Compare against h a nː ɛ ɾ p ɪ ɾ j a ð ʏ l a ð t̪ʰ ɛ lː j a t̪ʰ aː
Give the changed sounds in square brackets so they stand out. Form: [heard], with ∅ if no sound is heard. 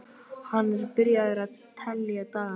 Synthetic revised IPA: h a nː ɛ ɾ p ɪ ɾ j a ð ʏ [ɾ] a ð t̪ʰ ɛ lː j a [t̪] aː